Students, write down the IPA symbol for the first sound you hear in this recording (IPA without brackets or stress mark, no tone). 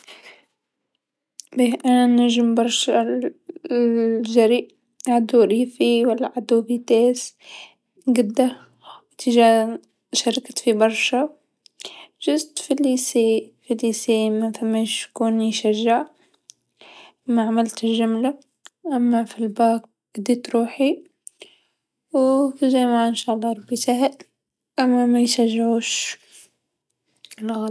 b